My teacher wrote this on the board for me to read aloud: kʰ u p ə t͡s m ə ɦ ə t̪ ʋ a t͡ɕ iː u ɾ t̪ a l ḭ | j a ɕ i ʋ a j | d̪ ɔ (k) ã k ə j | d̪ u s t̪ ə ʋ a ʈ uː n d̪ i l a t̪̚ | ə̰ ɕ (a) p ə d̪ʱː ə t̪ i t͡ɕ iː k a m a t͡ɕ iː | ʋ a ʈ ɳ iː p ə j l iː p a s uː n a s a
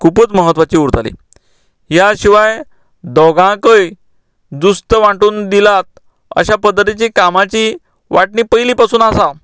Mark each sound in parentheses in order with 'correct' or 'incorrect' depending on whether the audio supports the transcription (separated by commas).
incorrect, correct